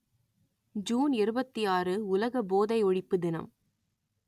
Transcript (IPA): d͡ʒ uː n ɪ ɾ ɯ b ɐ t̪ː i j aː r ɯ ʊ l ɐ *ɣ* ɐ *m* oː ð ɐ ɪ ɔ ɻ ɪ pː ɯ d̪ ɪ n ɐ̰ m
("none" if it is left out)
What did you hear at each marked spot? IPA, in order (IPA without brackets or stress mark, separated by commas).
ɣ, b